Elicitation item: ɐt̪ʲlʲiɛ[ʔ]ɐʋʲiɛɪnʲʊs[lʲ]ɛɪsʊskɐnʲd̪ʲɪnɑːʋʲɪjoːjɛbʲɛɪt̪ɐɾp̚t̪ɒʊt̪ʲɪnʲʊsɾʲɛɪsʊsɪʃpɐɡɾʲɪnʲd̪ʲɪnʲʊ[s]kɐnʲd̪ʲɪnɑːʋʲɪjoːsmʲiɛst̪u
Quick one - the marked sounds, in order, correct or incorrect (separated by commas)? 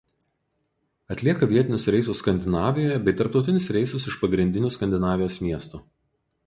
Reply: incorrect, incorrect, correct